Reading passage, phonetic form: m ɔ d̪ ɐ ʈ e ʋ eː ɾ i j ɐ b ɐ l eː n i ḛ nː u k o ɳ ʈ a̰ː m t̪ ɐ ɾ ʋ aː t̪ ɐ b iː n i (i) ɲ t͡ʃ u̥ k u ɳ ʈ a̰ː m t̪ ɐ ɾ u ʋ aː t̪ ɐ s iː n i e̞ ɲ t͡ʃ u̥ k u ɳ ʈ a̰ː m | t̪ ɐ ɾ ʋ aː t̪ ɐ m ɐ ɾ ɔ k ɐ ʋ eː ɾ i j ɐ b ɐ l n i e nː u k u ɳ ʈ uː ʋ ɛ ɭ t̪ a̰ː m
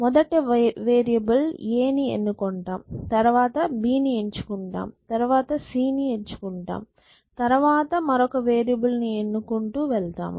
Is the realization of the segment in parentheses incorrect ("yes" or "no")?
yes